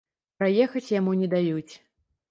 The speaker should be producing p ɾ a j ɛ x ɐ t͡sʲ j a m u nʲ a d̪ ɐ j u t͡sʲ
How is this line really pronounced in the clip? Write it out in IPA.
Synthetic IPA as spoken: p ɾ a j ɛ x ɐ t͡sʲ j a m u nʲ ɛ d̪ a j u t͡sʲ

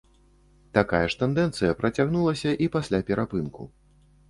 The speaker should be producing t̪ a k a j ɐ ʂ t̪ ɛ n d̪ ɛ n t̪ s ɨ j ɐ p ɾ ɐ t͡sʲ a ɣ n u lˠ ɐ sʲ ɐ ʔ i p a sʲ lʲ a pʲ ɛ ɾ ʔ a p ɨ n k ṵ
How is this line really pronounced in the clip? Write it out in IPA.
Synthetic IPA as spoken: t̪ a k a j ɐ ʂ t̪ ɛ n d̪ ɛ n t̪ s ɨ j ɐ p ɾ ɐ t͡sʲ a ɣ n u lˠ ɐ sʲ ɐ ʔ i p a sʲ lʲ a pʲ ɛ ɾ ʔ a p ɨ n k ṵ

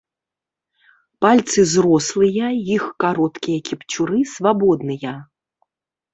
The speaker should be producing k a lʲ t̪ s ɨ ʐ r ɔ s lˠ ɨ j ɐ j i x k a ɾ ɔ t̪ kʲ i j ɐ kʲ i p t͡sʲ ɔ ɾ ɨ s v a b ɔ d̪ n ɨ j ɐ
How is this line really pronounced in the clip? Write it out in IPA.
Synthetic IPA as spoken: p a lʲ t̪ s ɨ z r ɔ s lˠ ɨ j ɐ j i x k a ɾ ɔ t̪ kʲ i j ɐ kʲ i p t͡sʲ u ɾ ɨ s v a b ɔ d̪ n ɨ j ɐ

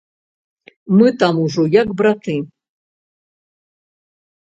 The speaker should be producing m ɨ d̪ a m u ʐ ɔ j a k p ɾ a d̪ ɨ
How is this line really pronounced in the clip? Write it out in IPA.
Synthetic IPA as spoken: m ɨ t̪ a m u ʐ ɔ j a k b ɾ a t̪ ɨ

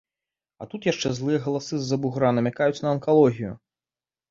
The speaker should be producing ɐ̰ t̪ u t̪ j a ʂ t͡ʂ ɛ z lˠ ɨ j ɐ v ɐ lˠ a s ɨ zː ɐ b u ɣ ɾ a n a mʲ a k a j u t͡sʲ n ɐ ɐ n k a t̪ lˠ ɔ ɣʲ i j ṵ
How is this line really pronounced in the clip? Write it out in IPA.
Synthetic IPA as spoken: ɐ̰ t̪ u t̪ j a ʂ t͡ʂ ɛ z lˠ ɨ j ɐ ɣ ɐ lˠ a s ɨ zː ɐ b u ɣ ɾ a n ɐ mʲ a k a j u t͡sʲ n ɐ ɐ n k a lˠ ɔ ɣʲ i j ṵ

